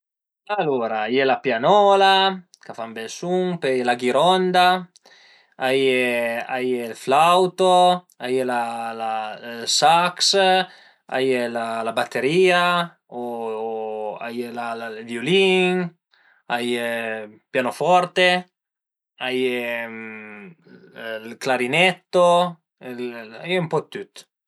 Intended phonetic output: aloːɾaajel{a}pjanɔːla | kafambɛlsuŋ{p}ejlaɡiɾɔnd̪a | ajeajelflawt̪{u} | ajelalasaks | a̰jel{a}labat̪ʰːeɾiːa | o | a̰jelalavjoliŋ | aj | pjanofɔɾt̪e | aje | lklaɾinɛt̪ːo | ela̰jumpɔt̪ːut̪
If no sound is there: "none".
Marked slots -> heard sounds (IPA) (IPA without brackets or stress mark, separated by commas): a, p, o, a